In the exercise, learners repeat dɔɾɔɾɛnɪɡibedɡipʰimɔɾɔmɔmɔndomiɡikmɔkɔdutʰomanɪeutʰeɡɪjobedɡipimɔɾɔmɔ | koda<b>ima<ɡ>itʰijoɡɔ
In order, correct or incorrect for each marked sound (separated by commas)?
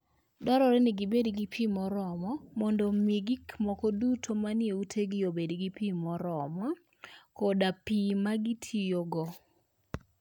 incorrect, correct